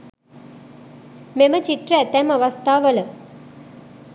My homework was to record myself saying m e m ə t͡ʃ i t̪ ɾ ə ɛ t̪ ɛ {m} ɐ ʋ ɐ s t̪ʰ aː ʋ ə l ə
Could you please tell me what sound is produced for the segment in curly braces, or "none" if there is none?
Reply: m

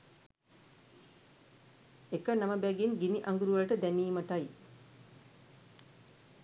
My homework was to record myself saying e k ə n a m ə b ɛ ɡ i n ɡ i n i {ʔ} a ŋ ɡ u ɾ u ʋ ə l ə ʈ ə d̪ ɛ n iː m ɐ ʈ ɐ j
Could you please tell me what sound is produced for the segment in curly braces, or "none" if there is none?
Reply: ʔ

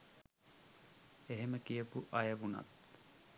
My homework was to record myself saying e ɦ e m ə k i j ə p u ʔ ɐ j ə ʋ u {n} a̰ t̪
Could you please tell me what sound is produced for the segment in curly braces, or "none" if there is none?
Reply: n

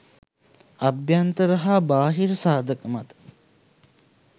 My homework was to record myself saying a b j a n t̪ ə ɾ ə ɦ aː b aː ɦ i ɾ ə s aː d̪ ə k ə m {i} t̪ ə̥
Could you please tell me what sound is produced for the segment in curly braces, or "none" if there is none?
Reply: a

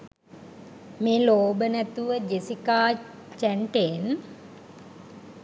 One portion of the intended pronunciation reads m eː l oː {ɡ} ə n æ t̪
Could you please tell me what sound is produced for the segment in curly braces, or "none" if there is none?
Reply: b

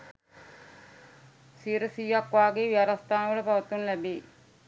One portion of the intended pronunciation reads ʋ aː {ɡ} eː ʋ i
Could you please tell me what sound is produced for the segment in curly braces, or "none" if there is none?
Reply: ɡ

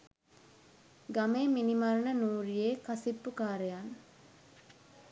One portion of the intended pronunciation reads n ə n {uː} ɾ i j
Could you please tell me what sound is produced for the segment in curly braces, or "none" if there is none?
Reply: uː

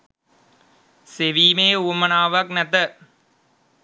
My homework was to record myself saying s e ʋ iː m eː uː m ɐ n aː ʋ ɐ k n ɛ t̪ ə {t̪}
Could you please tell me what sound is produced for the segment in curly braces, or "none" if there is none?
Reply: none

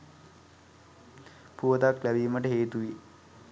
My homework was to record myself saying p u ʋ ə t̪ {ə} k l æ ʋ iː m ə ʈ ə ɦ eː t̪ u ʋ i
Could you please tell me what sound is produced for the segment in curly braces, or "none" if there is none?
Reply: a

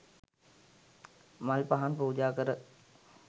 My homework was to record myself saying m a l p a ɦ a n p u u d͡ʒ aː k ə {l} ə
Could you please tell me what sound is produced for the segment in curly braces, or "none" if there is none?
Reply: ɾ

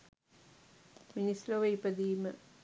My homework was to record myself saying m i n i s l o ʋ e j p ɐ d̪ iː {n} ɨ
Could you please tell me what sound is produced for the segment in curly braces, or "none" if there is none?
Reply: m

